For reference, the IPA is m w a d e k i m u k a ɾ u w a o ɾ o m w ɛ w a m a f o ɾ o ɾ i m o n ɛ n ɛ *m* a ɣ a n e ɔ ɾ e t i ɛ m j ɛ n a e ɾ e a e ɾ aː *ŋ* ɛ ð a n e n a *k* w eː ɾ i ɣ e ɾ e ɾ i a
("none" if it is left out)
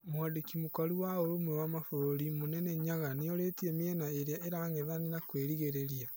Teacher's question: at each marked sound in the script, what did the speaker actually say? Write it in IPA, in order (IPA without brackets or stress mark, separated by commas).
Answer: ɲ, ŋ, k